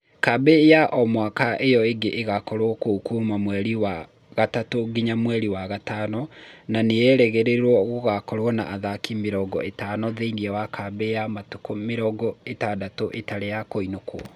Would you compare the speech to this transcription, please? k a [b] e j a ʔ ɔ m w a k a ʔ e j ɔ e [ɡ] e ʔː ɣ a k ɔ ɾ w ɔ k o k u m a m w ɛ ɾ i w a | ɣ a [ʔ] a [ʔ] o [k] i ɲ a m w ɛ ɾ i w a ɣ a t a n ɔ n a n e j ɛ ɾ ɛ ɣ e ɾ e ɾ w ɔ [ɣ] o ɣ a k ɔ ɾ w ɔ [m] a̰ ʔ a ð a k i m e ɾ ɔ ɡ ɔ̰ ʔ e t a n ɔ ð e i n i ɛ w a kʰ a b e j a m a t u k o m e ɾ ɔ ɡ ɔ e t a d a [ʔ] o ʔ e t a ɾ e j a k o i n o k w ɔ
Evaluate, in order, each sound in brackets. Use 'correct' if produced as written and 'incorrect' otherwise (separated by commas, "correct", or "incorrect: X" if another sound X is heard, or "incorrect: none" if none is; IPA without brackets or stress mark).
correct, correct, incorrect: t, incorrect: t, incorrect: ɡ, correct, incorrect: n, incorrect: t